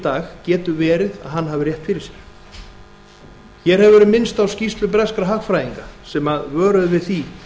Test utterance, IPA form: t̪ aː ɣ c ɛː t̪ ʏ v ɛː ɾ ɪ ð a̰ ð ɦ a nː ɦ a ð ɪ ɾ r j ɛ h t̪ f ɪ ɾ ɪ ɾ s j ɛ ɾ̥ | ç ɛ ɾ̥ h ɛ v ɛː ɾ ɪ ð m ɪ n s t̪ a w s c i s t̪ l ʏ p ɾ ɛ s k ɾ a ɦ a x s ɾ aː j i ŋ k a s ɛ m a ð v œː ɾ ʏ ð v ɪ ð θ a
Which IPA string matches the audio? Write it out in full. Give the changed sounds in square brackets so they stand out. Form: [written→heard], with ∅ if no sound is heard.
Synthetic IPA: t̪ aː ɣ c ɛː t̪ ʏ v ɛː ɾ ɪ ð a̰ ð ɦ a nː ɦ a [ð→v] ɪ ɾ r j ɛ h t̪ f ɪ ɾ ɪ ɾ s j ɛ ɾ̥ | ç ɛ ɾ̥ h ɛ v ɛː ɾ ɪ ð m ɪ n s t̪ a w s c i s t̪ l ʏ p ɾ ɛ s k ɾ a ɦ a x [s→f] ɾ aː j i ŋ k a s ɛ m a ð v œː ɾ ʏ ð v ɪ ð θ [a→i]